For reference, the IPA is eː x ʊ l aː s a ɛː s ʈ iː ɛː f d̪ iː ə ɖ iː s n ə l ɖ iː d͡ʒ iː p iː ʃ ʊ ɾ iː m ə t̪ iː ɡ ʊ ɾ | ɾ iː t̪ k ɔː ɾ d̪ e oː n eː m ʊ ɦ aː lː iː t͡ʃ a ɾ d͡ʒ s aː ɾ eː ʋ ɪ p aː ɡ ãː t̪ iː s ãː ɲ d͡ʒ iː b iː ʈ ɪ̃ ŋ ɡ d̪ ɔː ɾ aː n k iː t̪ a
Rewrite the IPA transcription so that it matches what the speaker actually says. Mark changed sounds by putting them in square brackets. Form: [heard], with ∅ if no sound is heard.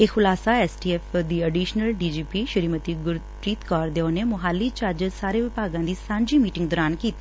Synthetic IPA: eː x ʊ l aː s a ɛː s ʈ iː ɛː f d̪ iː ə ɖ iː [ʃ] n ə l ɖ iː d͡ʒ iː p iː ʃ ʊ ɾ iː m ə t̪ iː ɡ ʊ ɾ | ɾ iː t̪ k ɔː ɾ d̪ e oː n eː m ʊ ɦ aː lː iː t͡ʃ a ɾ d͡ʒ s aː ɾ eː ʋ ɪ p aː ɡ ãː [d̪] iː s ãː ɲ d͡ʒ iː [m] iː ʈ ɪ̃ ŋ ɡ d̪ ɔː ɾ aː n k iː t̪ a